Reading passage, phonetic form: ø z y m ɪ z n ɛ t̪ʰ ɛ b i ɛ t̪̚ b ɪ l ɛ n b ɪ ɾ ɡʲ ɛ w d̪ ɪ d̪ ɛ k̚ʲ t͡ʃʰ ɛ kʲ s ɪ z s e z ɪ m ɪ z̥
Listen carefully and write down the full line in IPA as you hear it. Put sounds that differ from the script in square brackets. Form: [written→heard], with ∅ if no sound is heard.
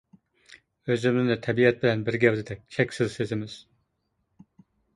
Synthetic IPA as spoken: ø z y m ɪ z n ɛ t̪ʰ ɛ b i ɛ t̪̚ b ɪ l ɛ n b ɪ ɾ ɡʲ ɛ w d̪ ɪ d̪ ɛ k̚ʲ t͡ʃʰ ɛ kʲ s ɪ z s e z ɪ m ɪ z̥

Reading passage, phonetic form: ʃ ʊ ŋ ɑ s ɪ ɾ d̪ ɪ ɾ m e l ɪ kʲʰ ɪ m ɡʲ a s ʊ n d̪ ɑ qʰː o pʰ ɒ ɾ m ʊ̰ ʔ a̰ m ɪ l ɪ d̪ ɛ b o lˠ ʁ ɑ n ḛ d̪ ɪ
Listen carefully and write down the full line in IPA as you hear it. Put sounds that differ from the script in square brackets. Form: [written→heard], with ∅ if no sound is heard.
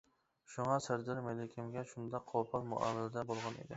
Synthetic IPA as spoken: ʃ ʊ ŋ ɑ s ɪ ɾ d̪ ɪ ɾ m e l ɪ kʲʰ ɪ m ɡʲ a [s→ʃ] ʊ n d̪ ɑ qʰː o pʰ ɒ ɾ m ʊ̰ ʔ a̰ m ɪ l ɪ d̪ [ɛ→a] b o lˠ ʁ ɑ n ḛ d̪ ɪ

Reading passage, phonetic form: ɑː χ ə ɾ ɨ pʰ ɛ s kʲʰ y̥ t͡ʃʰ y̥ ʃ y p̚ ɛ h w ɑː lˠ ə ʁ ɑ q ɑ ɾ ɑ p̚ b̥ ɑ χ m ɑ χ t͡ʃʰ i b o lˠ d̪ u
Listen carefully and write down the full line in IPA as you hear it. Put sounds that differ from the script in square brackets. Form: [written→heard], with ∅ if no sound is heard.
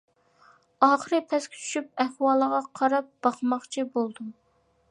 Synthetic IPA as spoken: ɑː χ ə ɾ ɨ pʰ ɛ s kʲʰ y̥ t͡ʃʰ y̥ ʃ y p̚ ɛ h w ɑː lˠ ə ʁ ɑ [q→qʰ] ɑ ɾ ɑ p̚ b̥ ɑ χ m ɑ χ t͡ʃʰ i b o lˠ d̪ u

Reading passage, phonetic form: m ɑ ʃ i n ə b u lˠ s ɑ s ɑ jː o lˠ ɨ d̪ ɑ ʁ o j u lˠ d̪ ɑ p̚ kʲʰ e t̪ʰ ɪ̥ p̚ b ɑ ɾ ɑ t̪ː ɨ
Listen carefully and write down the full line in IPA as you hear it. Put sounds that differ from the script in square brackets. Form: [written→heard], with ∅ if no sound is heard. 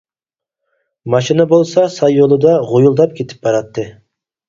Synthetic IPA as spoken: m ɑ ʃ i n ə b [u→o] lˠ s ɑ s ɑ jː o lˠ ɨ d̪ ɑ ʁ o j u lˠ d̪ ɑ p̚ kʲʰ e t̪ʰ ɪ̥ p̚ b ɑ ɾ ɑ t̪ː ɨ

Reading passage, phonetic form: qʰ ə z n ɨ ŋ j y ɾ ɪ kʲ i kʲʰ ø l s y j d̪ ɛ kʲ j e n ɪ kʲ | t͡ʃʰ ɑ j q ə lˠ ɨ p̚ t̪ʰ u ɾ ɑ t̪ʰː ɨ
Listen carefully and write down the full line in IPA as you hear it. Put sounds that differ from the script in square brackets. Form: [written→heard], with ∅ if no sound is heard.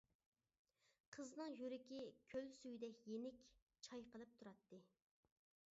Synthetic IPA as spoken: qʰ ə z n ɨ ŋ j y ɾ ɪ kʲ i kʲʰ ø l s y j d̪ ɛ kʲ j e n ɪ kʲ | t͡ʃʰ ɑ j q ə lˠ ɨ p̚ t̪ʰ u ɾ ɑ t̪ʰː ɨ

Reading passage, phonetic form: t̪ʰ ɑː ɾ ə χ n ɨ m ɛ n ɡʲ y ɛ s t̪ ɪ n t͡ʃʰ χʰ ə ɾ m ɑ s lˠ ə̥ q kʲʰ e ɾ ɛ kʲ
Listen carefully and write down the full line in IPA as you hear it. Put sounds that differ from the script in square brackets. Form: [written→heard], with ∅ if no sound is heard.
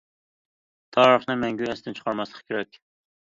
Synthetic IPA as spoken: t̪ʰ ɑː ɾ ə χ n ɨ m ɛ [n→ŋ] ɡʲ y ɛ s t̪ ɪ n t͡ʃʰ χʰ [ə→ɑ] ɾ m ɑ s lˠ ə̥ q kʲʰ e ɾ ɛ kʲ

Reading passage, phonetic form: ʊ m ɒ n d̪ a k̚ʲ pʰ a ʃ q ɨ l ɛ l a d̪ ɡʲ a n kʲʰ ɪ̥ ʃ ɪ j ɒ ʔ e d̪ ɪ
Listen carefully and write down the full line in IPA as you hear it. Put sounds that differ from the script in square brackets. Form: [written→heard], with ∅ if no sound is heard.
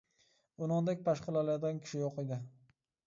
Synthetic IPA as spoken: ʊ [m→n] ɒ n d̪ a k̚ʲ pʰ a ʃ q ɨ l [ɛ→a] l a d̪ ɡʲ a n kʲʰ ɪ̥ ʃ ɪ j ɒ [ʔ→q] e d̪ ɪ

